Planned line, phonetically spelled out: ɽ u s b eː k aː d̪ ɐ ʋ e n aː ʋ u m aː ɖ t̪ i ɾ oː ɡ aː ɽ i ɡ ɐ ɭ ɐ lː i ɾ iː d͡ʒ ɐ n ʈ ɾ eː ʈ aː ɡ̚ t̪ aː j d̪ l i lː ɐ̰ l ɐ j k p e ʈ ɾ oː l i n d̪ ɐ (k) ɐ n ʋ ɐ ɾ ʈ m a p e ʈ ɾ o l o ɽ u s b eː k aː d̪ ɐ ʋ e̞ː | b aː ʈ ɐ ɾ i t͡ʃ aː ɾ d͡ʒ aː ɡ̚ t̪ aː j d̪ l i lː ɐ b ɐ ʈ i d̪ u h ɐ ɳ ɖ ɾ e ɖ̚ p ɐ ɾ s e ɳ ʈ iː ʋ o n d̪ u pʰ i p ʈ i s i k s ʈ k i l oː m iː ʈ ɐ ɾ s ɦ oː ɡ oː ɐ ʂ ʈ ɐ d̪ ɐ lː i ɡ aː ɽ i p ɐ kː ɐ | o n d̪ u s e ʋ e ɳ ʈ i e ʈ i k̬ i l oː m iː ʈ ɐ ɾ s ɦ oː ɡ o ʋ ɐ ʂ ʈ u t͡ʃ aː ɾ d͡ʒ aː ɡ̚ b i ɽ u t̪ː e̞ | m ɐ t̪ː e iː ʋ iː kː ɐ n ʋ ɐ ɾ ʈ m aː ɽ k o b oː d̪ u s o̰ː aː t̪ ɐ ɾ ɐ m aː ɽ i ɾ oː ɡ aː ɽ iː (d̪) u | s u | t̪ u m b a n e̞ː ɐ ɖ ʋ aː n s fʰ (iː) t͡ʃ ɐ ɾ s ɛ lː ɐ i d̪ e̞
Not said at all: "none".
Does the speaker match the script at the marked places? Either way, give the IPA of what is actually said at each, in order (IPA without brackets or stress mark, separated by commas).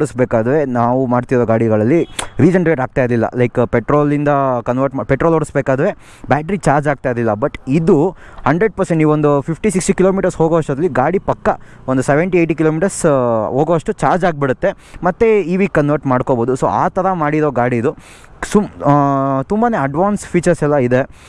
k, d̪, iː